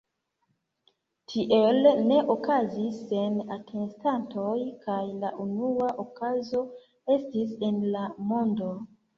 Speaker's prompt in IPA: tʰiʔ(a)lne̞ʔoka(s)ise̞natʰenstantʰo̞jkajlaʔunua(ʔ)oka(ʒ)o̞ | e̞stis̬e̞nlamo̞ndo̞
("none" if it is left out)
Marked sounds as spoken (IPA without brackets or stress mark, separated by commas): e, z, ʔ, z